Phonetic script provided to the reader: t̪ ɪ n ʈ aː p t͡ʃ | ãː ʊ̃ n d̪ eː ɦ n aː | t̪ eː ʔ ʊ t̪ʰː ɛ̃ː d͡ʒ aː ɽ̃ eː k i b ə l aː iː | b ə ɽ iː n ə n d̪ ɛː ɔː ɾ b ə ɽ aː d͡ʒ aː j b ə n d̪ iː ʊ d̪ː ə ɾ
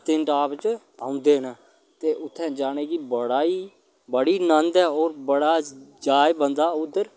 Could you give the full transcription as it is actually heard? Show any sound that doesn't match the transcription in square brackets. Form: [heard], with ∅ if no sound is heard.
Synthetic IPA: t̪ ɪ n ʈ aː p t͡ʃ | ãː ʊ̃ n d̪ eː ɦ n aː | t̪ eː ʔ ʊ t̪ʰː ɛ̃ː d͡ʒ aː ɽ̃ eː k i b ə [ɽ] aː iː | b ə ɽ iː n ə n d̪ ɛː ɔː ɾ b ə ɽ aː d͡ʒ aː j b ə n d̪ [aː] ʊ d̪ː ə ɾ